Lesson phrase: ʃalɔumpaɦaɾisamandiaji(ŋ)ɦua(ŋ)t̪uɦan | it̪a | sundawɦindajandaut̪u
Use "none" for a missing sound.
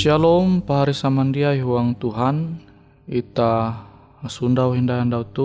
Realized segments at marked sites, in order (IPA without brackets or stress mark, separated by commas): none, ŋ